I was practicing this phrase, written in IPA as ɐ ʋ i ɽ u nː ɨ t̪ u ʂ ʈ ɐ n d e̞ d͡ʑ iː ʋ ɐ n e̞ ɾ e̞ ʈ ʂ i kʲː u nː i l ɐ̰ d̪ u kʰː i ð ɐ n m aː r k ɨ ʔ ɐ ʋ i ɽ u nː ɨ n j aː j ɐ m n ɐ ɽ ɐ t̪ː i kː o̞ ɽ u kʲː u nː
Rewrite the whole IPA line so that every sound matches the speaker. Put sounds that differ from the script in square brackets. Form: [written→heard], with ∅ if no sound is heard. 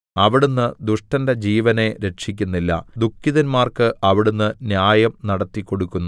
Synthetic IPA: ɐ ʋ i ɽ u nː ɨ [t̪→d̪] u ʂ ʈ ɐ n d e̞ d͡ʑ iː ʋ ɐ n e̞ ɾ e̞ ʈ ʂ i kʲː u nː i [l→lː] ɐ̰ d̪ u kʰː i ð ɐ n m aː r k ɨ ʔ ɐ ʋ i ɽ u nː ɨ n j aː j ɐ m n ɐ ɽ ɐ t̪ː i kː o̞ ɽ u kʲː u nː